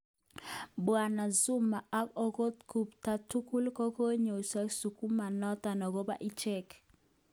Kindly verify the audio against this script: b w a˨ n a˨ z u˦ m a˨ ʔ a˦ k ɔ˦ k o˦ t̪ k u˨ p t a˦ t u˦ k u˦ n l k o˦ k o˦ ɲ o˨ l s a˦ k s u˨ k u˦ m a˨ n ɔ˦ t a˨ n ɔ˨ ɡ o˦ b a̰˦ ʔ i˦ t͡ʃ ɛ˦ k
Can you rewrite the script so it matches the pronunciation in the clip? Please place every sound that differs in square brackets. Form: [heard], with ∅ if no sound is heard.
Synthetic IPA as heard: b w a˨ n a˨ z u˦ m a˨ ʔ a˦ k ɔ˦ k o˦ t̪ k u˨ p t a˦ t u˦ k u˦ [∅] l k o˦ k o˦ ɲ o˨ [∅] s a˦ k s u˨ k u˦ m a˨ n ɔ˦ t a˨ n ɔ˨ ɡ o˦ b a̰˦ ʔ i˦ t͡ʃ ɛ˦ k